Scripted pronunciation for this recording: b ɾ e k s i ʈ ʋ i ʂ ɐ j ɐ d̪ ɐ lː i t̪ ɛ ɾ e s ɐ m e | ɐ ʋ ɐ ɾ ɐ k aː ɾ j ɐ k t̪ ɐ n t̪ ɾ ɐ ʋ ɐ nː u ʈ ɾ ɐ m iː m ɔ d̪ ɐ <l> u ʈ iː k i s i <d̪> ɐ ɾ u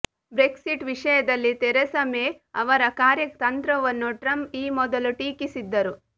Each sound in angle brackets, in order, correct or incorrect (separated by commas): correct, incorrect